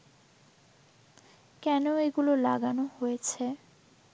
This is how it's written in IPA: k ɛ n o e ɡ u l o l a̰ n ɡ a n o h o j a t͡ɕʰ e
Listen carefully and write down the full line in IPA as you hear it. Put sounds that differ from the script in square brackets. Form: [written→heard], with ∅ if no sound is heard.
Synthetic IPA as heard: k ɛ n o e ɡ u l o l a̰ [n→∅] ɡ a n o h o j [a→e] t͡ɕʰ e